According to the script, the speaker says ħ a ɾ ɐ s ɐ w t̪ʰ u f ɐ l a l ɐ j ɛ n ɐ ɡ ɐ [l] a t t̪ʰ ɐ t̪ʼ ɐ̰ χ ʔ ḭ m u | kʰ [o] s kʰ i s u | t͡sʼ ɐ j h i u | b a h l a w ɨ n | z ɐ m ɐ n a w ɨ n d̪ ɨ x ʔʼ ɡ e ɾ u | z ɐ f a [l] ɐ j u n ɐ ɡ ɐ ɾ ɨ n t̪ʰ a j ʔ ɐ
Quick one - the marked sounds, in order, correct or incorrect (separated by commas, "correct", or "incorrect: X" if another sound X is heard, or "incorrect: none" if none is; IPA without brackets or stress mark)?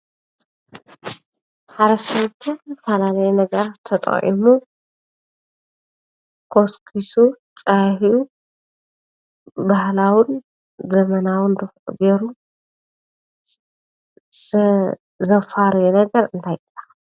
incorrect: ɾ, correct, incorrect: ɾ